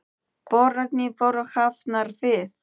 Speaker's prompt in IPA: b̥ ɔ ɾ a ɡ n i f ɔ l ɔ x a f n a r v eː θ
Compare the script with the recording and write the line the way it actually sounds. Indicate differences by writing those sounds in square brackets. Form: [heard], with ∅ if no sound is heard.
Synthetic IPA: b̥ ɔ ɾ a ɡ n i [v] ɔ [ɾ] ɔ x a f n a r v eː θ